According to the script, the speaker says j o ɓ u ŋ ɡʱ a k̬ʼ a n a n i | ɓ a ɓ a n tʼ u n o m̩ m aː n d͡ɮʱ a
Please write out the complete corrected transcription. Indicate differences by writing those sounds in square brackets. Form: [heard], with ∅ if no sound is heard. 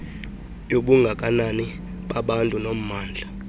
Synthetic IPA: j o ɓ u ŋ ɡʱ a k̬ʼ a n a n i | ɓ a ɓ a n tʼ u n o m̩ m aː n d͡ɮʱ a